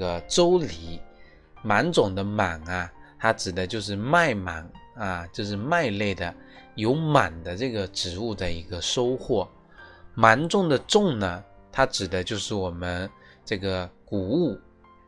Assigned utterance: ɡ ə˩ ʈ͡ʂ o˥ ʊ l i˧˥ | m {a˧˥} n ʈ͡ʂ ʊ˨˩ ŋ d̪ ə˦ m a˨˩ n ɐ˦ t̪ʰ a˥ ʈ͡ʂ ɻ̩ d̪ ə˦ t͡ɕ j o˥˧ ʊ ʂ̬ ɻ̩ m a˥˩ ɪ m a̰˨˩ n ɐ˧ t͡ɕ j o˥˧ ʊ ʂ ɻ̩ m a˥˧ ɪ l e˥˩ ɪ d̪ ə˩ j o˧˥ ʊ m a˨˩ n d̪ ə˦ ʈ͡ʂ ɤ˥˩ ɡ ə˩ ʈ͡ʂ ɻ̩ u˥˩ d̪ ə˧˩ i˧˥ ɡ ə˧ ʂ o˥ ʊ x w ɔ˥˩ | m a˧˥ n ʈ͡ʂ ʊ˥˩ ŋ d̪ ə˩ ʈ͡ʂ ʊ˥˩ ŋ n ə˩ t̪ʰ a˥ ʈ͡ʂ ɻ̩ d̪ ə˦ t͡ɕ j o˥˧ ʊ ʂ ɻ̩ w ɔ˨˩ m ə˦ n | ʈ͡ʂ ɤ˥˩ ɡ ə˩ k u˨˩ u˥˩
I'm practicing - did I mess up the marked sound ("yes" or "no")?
no